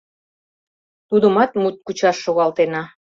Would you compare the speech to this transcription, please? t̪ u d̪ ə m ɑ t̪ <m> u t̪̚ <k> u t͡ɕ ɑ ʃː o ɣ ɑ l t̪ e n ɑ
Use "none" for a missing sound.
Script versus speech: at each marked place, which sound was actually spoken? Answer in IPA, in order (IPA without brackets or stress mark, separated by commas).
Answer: m, k